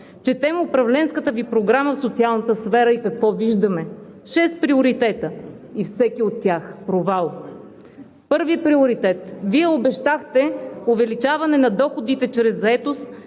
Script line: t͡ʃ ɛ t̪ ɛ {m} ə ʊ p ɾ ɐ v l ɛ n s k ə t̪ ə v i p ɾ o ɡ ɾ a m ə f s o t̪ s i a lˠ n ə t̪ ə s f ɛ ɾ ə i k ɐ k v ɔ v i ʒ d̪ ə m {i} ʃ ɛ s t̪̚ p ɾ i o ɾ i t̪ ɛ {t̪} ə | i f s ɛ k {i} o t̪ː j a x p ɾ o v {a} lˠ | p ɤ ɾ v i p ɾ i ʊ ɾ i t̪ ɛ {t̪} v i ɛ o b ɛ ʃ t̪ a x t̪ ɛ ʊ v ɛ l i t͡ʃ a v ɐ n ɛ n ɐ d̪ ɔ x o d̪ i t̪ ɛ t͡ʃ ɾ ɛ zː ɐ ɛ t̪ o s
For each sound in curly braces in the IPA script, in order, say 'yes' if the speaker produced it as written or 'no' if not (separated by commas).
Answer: yes, no, yes, yes, yes, yes